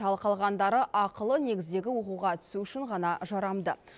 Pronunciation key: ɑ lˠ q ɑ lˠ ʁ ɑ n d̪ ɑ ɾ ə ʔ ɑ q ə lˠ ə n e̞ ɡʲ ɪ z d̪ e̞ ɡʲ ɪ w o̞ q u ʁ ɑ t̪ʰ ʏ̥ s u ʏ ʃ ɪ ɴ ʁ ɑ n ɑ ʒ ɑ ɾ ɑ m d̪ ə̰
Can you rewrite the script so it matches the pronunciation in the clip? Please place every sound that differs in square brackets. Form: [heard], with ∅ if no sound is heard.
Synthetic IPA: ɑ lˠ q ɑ lˠ ʁ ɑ n d̪ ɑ ɾ ə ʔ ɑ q ə lˠ ə n e̞ ɡʲ ɪ z d̪ e̞ ɡʲ ɪ w o̞ q u ʁ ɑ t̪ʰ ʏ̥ s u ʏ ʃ ɪ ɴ ʁ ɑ n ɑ ʒ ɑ ɾ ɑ m d̪ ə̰